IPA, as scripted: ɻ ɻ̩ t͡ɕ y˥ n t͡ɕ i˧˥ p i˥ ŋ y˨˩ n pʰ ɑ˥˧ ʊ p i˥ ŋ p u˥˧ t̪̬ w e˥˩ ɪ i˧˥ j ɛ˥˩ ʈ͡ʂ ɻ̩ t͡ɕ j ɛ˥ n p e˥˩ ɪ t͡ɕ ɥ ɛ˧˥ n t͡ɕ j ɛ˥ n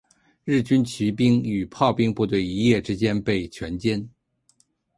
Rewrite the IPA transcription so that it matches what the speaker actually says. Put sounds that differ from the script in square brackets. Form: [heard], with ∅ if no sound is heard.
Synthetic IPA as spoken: ɻ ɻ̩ t͡ɕ y˥ n [t͡ɕʰ] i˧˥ p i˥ ŋ y˨˩ [∅] pʰ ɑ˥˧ ʊ p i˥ ŋ p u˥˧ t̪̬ w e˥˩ ɪ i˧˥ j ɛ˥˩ ʈ͡ʂ ɻ̩ t͡ɕ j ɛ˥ n p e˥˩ ɪ [t͡ɕʰ] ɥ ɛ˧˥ n t͡ɕ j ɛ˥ n